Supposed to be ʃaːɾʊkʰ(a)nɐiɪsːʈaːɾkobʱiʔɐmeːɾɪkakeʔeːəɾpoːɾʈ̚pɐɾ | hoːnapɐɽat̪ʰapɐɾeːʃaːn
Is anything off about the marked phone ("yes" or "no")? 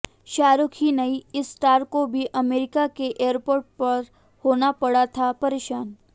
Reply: yes